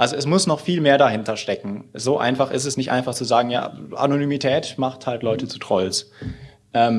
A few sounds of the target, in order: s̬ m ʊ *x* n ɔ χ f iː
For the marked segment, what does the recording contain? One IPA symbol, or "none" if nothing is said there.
s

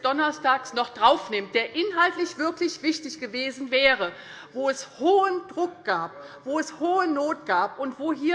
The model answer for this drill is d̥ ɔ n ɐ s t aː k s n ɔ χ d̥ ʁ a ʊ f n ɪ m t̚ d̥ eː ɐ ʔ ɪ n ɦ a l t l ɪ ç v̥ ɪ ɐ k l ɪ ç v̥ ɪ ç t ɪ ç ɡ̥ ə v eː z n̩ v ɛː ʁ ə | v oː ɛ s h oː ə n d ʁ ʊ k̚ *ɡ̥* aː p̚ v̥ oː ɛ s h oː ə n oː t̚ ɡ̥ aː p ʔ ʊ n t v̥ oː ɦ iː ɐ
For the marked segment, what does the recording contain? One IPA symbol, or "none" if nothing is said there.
ɡ̥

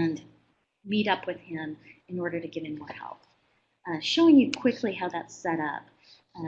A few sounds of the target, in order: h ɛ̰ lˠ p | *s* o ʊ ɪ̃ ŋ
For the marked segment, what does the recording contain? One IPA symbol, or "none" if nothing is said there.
ʃ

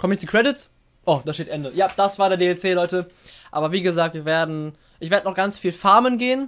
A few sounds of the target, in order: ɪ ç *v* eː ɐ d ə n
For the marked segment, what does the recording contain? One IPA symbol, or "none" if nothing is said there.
v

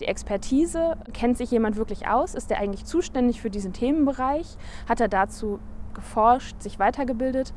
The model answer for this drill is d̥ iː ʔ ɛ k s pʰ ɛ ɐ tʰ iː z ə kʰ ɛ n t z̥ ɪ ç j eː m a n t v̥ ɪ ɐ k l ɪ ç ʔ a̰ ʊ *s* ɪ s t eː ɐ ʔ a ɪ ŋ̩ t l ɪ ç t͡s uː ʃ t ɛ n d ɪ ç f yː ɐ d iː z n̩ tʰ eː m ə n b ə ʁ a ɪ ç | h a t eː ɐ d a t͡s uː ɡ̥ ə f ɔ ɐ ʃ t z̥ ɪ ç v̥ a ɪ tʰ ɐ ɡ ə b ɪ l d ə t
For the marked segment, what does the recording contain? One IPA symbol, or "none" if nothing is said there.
s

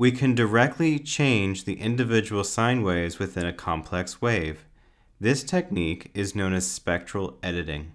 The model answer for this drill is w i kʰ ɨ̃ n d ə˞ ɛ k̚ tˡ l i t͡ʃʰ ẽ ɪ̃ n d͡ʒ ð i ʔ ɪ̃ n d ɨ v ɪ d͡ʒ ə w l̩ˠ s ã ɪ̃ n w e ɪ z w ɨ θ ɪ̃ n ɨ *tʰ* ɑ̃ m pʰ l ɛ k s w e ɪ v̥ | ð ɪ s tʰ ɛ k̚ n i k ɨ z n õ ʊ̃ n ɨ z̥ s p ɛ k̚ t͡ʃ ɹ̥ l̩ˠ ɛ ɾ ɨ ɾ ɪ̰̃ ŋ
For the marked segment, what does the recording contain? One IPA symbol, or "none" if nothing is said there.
kʰ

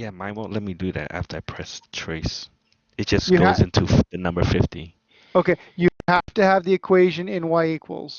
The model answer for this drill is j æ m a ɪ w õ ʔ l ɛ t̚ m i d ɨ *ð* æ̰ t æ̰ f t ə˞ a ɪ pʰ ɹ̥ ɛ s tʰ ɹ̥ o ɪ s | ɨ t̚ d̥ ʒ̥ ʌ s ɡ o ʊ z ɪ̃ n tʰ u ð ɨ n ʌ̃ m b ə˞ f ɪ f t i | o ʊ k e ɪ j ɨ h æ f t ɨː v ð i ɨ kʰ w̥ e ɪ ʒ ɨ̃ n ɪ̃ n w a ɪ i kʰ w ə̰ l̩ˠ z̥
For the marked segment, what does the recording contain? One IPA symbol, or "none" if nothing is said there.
ð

